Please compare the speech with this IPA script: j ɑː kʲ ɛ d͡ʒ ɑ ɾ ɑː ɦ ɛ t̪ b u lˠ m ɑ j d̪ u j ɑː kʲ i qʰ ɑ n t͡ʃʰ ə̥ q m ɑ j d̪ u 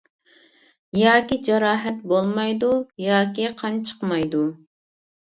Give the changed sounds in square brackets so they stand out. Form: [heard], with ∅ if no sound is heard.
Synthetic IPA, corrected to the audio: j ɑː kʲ [i] d͡ʒ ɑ ɾ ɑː ɦ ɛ t̪ b [o] lˠ m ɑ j d̪ u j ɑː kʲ i qʰ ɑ n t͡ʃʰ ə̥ q m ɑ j d̪ u